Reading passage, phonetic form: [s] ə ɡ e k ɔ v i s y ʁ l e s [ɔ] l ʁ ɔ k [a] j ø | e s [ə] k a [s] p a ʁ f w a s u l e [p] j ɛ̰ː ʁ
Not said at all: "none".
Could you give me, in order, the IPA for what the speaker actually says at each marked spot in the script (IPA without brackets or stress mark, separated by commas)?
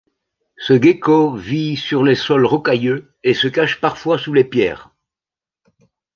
s, ɔ, a, ə, ʃ, p